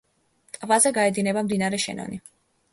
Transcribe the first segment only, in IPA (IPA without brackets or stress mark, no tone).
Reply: t̪ʼ